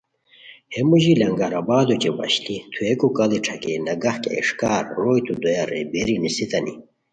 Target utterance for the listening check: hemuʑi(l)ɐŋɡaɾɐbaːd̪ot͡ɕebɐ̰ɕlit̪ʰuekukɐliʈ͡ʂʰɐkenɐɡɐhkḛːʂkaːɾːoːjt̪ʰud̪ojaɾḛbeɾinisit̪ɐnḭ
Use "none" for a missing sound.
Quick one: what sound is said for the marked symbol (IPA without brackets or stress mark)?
l